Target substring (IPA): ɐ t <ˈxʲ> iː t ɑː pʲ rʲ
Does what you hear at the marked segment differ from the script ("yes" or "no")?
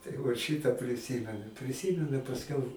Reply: yes